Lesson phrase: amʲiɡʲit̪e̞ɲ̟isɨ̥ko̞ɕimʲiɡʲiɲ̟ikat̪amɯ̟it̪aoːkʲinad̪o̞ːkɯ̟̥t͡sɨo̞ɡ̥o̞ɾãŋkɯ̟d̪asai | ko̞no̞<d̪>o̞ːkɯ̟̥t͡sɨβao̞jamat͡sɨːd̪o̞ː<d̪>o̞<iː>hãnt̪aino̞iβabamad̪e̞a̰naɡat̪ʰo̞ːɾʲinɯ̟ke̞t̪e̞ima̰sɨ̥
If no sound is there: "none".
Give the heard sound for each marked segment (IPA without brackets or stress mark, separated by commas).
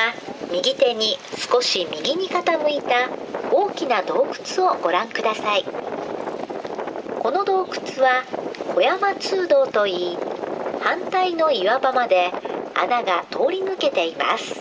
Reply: d̪, t̪, iː